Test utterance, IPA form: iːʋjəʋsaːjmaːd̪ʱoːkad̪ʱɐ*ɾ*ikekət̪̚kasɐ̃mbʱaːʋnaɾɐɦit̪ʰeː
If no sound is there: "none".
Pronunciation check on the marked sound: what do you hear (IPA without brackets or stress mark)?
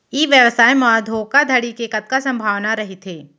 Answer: ɽ